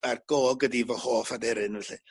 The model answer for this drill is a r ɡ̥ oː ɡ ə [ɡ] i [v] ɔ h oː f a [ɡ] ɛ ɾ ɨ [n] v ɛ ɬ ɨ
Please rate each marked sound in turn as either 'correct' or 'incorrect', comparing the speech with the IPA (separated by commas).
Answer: incorrect, correct, incorrect, correct